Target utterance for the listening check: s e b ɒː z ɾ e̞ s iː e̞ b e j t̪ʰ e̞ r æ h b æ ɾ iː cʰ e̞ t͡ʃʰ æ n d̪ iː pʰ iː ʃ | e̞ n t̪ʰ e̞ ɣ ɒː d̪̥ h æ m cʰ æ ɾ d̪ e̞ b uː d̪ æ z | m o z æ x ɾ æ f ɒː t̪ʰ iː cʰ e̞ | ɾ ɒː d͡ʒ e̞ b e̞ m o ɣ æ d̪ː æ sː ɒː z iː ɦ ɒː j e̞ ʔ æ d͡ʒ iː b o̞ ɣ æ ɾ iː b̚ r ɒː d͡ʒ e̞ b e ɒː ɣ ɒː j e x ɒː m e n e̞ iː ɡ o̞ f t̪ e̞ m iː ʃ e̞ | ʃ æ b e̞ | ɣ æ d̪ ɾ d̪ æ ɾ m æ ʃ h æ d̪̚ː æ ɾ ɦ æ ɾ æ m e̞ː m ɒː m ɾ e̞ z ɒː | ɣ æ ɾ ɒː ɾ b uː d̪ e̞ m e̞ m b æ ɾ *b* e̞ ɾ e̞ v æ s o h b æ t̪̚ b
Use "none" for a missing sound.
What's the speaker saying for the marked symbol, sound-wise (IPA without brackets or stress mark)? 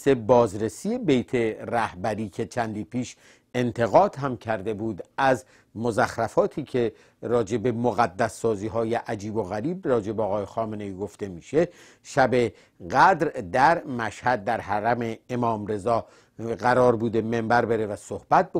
b